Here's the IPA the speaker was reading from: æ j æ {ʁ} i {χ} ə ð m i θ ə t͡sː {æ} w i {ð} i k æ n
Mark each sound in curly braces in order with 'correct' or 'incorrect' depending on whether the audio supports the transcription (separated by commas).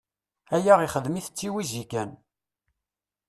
correct, correct, incorrect, incorrect